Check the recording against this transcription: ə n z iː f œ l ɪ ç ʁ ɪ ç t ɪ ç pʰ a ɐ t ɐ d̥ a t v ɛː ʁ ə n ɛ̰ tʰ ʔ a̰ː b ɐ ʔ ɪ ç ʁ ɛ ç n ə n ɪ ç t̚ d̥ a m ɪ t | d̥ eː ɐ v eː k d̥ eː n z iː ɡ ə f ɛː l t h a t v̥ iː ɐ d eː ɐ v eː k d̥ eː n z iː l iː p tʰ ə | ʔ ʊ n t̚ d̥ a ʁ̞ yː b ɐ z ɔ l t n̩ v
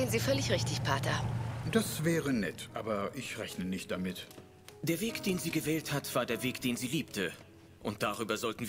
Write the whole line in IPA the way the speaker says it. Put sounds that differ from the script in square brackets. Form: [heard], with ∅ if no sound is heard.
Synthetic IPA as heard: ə n z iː f œ l ɪ ç ʁ ɪ ç t ɪ ç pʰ a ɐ t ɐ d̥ a [s] v ɛː ʁ ə n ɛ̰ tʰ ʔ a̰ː b ɐ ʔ ɪ ç ʁ ɛ ç n ə n ɪ ç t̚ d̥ a m ɪ t | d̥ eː ɐ v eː k d̥ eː n z iː ɡ ə [v] ɛː l t h a t v̥ [aː] ɐ d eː ɐ v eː k d̥ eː n z iː l iː p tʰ ə | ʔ ʊ n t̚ d̥ a ʁ̞ yː b ɐ z ɔ l t n̩ v